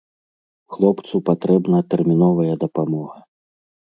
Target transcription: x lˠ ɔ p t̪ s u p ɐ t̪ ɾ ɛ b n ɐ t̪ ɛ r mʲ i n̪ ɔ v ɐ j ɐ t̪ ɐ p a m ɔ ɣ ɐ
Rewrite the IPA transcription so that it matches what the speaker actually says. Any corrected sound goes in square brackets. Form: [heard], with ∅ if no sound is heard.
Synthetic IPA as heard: x lˠ ɔ p t̪ s u p [a] t̪ ɾ ɛ b n ɐ t̪ ɛ r mʲ i n̪ ɔ v ɐ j ɐ [d̪] ɐ p a m ɔ ɣ ɐ